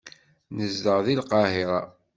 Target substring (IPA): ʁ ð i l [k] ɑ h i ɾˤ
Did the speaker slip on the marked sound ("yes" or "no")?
yes